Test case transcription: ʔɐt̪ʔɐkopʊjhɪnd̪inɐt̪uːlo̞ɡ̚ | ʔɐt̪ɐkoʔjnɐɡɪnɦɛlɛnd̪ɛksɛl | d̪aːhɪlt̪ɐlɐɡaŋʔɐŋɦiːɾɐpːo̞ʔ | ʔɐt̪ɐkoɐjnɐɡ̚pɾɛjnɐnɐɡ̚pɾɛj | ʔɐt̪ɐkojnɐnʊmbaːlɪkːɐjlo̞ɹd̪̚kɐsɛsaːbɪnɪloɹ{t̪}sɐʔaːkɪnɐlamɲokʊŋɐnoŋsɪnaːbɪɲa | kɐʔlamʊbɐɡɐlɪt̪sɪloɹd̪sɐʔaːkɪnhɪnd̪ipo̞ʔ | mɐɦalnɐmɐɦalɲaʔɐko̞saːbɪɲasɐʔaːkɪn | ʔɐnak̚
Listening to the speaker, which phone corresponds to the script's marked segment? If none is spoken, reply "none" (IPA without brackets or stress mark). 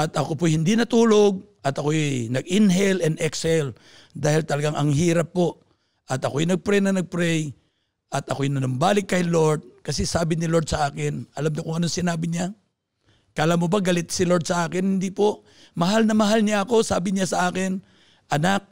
d̪